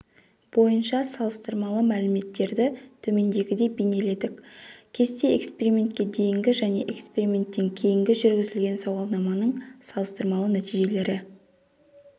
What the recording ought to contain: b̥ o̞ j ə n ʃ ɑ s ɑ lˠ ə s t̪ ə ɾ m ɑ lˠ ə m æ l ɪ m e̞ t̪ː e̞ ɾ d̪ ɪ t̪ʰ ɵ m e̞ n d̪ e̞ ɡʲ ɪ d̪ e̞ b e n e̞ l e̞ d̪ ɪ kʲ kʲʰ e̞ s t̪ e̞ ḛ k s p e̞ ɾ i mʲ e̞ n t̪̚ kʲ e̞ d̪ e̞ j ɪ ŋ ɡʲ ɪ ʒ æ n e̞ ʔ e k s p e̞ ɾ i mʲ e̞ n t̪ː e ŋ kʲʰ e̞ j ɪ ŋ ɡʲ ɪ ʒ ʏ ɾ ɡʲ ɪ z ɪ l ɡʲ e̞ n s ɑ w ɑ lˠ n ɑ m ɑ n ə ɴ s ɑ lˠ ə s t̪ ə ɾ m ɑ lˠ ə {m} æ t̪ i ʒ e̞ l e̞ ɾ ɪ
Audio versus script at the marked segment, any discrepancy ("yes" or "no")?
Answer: yes